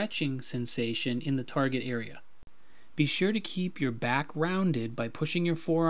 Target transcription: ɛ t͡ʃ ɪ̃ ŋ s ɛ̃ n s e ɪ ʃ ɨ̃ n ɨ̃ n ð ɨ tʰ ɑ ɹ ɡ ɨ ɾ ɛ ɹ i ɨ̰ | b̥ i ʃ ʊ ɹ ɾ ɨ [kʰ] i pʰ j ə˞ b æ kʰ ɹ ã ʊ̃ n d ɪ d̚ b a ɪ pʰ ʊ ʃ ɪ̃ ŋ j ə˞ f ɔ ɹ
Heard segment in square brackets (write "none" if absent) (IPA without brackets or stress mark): kʰ